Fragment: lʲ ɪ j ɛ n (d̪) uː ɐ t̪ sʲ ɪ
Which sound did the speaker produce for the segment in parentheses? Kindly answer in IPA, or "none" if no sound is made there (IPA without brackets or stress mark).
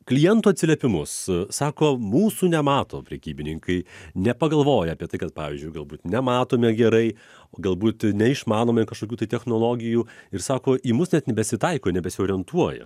t̪